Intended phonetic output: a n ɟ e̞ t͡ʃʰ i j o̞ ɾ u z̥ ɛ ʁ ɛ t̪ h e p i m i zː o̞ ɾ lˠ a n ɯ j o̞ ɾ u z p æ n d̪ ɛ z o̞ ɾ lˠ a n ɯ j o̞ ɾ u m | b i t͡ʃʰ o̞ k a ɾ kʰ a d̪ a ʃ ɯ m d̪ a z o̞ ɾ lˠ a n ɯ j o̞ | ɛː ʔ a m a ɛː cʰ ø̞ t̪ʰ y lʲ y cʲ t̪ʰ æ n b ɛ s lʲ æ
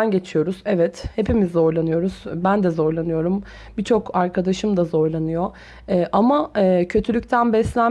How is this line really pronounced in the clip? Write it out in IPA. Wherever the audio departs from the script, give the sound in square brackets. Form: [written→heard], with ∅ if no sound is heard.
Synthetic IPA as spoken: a n ɟ e̞ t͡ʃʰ i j o̞ ɾ u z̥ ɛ [ʁ→v] ɛ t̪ h e p i m i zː o̞ ɾ lˠ a n ɯ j o̞ ɾ u z [p→b] æ n d̪ ɛ z o̞ ɾ lˠ a n ɯ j o̞ ɾ u m | b i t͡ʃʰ o̞ k a ɾ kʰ a d̪ a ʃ ɯ m d̪ a z o̞ ɾ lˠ a n ɯ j o̞ | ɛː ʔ a m a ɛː cʰ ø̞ t̪ʰ y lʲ y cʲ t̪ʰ æ n b ɛ s lʲ æ